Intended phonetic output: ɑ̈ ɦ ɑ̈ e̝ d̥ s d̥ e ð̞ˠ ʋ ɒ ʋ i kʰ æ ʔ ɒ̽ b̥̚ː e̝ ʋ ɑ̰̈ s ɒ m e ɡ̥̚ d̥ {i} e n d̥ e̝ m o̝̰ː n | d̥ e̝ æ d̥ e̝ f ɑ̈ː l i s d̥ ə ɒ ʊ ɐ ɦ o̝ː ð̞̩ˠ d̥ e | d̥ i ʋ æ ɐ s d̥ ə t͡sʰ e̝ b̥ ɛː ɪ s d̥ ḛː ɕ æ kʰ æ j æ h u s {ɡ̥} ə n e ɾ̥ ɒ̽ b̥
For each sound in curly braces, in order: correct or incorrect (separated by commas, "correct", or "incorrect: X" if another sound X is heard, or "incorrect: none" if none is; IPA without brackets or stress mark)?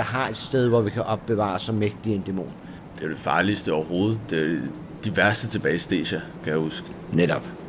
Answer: correct, correct